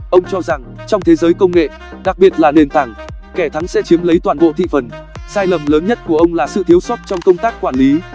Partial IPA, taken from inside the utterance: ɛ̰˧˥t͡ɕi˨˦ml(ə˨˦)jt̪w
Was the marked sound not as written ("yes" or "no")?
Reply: no